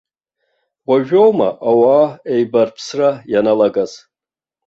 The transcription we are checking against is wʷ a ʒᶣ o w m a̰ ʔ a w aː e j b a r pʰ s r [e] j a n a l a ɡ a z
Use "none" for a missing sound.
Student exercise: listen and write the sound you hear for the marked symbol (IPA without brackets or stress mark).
a